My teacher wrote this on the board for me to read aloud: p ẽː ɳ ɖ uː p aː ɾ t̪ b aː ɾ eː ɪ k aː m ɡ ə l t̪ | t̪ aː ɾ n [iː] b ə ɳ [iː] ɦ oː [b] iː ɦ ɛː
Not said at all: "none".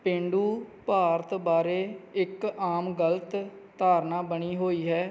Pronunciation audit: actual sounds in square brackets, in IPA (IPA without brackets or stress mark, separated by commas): aː, iː, none